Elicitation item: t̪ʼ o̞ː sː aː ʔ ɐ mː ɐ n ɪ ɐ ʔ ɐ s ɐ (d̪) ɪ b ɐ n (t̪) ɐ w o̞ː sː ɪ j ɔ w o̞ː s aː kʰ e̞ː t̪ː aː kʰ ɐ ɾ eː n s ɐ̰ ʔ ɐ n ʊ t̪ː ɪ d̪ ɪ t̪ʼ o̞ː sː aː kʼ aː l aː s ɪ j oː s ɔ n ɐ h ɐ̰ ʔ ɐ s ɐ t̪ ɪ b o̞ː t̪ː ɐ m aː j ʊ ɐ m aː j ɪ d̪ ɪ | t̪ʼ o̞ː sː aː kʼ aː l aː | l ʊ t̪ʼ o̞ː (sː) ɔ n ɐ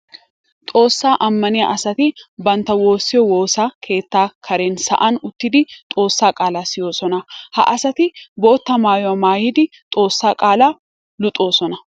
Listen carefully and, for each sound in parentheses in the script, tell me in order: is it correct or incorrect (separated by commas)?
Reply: incorrect, correct, incorrect